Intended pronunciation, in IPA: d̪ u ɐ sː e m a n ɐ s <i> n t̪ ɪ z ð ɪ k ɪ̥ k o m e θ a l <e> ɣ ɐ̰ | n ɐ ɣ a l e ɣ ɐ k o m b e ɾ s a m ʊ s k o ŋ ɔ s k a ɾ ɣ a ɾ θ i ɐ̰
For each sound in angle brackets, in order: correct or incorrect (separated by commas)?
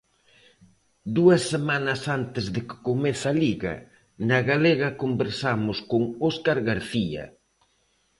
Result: incorrect, incorrect